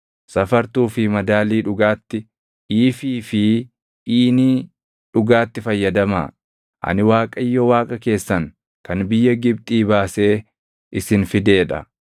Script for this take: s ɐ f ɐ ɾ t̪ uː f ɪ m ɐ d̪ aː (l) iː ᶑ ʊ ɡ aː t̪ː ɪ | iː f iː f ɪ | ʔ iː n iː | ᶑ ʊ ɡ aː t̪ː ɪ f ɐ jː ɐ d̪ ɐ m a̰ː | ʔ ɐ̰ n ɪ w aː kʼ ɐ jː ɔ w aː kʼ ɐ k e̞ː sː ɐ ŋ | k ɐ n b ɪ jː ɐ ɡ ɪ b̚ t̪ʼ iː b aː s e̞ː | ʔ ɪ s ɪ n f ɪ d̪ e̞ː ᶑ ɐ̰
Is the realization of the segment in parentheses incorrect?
no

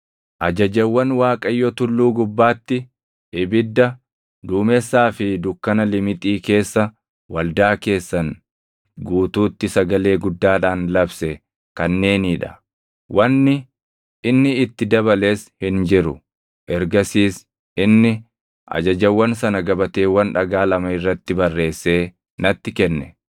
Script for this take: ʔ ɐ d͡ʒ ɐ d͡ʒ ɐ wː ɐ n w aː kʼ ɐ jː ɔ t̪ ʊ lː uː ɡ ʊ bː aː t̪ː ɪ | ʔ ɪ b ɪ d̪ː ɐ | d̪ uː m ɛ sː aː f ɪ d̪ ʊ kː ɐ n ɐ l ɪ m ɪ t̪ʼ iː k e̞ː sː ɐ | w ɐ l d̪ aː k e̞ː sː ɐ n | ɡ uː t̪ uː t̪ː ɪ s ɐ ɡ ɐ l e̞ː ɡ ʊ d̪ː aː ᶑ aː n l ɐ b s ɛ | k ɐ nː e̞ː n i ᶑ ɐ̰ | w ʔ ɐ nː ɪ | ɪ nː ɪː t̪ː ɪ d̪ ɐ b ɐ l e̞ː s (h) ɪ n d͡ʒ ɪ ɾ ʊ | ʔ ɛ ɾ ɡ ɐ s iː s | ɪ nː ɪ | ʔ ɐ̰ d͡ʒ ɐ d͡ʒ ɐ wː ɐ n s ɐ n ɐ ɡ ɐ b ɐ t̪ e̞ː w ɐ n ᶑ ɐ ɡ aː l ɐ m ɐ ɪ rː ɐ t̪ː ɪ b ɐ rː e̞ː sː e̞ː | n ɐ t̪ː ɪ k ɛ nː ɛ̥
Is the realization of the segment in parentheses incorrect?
no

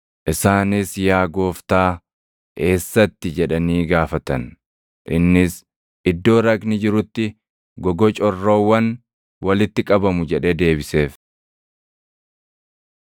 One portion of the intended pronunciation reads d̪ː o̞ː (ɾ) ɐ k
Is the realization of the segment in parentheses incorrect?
no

